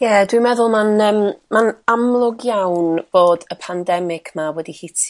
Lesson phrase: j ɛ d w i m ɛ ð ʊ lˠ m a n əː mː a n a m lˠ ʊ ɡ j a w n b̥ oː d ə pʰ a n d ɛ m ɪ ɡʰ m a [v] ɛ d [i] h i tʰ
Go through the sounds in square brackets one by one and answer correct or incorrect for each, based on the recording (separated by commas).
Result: incorrect, correct